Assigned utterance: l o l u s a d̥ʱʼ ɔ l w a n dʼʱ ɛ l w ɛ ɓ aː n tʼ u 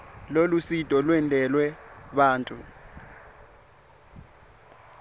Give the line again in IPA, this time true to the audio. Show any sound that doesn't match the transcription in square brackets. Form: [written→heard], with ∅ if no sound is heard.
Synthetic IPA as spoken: l o l u s [a→i] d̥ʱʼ ɔ l w [a→ɛ] n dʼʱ ɛ l w ɛ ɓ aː n tʼ u

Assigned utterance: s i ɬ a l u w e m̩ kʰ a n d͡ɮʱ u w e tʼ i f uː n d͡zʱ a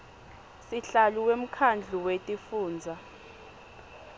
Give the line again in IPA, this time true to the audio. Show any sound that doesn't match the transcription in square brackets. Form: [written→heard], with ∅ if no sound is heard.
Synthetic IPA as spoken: s i ɬ a l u w e m̩ kʰ a n d͡ɮʱ u w e tʼ i f uː n d͡zʱ a

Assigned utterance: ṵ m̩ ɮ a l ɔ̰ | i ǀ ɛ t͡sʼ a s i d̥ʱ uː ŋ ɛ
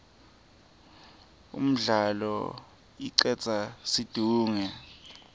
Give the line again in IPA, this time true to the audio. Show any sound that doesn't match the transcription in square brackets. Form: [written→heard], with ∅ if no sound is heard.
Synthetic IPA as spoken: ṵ m̩ ɮ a l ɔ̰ | i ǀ ɛ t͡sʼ a s i d̥ʱ uː ŋ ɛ

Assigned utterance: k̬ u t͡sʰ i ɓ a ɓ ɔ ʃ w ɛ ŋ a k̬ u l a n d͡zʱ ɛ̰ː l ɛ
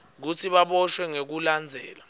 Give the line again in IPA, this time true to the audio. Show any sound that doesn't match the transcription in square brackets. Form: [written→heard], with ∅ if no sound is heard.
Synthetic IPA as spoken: k̬ u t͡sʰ i ɓ a ɓ ɔ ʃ w ɛ ŋ [a→e] k̬ u l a n d͡zʱ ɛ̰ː l [ɛ→a]

